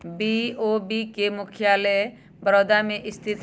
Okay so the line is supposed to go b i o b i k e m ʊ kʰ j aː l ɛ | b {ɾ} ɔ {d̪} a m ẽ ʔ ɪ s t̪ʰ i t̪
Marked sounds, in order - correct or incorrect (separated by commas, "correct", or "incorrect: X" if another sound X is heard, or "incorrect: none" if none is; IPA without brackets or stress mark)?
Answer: correct, correct